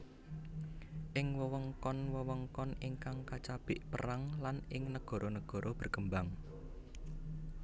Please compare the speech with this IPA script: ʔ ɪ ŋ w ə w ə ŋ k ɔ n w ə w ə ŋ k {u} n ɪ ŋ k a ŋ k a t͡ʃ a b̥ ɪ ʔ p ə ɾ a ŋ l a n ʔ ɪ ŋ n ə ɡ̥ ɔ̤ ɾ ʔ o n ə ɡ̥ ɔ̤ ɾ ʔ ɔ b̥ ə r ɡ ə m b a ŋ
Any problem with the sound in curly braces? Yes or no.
yes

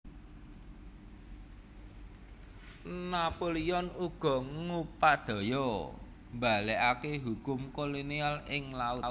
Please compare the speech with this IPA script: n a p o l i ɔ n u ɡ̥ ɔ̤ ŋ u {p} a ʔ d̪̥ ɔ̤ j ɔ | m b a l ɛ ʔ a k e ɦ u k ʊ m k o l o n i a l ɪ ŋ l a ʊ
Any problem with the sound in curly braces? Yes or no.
no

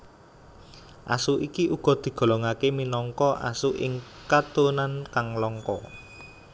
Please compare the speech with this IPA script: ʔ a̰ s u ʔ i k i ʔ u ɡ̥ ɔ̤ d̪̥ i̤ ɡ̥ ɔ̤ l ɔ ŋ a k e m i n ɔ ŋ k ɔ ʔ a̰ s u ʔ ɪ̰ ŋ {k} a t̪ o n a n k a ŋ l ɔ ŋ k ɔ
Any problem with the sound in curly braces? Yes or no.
no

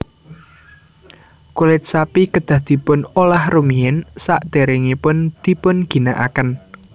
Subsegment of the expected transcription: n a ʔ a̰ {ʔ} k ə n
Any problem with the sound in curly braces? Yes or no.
yes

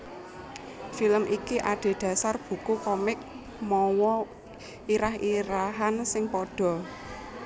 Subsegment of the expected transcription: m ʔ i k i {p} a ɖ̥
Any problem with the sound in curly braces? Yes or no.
yes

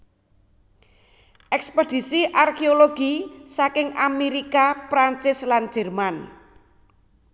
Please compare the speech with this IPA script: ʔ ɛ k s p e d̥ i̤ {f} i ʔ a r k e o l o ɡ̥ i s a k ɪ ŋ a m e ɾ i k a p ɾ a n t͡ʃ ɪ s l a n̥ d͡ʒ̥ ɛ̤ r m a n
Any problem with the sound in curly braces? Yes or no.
yes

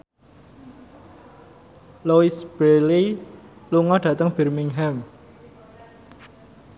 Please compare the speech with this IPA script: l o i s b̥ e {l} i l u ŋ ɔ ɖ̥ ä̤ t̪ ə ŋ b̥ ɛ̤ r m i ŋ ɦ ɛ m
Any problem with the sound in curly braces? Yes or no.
no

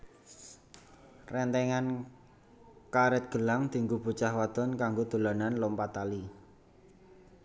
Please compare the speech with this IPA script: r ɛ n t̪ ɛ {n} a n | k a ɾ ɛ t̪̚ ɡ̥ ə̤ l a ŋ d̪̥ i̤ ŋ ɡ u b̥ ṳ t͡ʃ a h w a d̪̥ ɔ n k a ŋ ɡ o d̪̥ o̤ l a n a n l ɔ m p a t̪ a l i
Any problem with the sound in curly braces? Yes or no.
yes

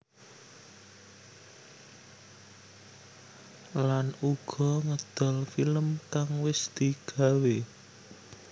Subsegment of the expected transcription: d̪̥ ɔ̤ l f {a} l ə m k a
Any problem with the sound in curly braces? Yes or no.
yes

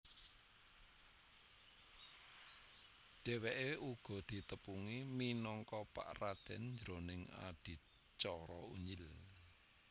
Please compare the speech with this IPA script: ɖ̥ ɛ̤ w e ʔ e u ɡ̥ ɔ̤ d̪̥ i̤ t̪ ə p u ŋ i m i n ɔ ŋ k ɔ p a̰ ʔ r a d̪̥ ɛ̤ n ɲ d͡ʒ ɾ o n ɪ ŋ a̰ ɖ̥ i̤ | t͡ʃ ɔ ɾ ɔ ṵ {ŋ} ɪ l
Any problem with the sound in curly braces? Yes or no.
yes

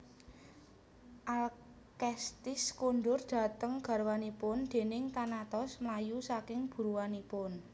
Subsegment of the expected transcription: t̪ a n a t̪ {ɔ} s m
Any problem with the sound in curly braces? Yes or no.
no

